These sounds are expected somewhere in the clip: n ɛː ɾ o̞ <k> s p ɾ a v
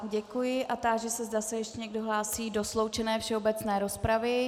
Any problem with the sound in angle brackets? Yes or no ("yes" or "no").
yes